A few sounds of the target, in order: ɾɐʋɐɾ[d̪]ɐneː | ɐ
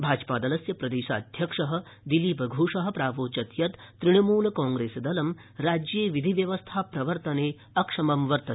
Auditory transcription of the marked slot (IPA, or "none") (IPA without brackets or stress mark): t̪